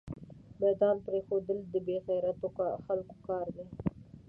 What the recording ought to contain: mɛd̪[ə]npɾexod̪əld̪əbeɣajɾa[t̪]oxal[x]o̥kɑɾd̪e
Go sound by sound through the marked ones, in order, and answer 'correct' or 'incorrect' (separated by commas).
incorrect, correct, incorrect